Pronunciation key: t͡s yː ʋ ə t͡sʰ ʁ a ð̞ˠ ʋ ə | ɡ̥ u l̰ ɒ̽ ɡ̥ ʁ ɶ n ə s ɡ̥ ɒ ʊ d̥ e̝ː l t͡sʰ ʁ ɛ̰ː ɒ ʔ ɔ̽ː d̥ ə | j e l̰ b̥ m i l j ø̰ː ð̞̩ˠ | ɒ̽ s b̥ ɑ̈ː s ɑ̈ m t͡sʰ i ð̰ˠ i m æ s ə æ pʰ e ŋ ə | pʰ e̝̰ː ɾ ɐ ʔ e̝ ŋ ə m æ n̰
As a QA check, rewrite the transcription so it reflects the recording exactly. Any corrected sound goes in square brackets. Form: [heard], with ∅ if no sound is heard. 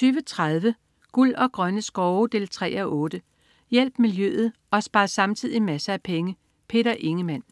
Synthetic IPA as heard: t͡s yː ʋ ə t͡sʰ ʁ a ð̞ˠ ʋ ə | ɡ̥ u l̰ ɒ̽ ɡ̥ ʁ ɶ n ə s ɡ̥ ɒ ʊ d̥ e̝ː l t͡sʰ ʁ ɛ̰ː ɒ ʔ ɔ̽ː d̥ ə | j e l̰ b̥ m i l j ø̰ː ð̞̩ˠ | ɒ̽ s b̥ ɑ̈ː s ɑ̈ m t͡sʰ i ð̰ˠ i m æ s ə æ pʰ e ŋ ə | pʰ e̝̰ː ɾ ɐ ʔ e̝ ŋ ə m æ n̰